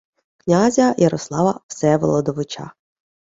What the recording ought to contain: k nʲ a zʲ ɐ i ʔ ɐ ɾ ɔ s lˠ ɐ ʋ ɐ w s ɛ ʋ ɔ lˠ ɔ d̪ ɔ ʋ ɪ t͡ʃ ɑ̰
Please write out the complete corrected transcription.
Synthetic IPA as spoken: k nʲ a zʲ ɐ j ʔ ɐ ɾ ɔ s lˠ ɑ ʋ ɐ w s ɛ ʋ ɔ lˠ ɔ d̪ ɔ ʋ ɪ t͡ʃ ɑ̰